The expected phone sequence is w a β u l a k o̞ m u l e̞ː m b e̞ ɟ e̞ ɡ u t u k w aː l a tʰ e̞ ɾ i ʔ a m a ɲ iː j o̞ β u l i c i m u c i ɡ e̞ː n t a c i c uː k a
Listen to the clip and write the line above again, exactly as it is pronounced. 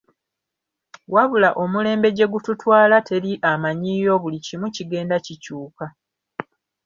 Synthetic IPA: w a β u l a ʔ o̞ m u l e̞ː m b e̞ ɟ e̞ ɡ u t u t w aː l a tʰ e̞ ɾ i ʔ a m a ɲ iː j o̞ β u l i c i m u c i ɡ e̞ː n d a c i c uː k a